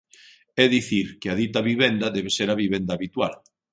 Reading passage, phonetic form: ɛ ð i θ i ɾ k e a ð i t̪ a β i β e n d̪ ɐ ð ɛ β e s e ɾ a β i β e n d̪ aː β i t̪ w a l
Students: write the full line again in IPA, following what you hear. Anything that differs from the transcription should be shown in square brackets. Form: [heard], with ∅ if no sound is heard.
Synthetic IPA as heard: ɛ ð i θ i ɾ k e a ð i t̪ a β i β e n d̪ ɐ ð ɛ β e s e ɾ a β i β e n d̪ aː β i t̪ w a l